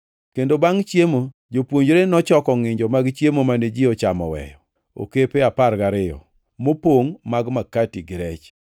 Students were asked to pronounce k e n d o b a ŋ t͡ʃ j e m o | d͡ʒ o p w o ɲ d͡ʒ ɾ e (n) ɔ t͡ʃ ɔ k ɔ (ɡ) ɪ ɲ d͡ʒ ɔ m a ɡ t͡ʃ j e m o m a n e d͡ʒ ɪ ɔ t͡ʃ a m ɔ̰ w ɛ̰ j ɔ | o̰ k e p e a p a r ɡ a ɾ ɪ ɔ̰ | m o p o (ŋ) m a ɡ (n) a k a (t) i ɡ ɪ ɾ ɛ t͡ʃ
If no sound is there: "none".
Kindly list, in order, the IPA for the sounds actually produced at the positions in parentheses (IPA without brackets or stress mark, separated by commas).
n, ŋ, ŋ, m, t